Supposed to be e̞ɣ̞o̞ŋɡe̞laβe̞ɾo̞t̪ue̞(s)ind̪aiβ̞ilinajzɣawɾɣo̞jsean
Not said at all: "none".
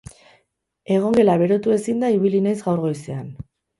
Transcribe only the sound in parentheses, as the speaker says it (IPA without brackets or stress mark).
s